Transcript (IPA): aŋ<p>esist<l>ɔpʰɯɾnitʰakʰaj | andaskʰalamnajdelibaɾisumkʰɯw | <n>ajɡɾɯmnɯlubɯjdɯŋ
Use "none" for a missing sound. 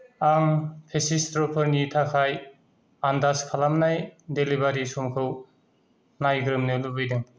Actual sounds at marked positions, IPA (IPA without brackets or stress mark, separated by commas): pʰ, ɾ, n